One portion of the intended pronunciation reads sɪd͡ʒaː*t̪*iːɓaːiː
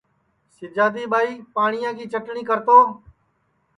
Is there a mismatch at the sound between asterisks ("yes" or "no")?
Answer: yes